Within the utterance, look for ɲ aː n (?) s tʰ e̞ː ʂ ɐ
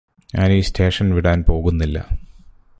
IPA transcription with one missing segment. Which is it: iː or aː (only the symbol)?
iː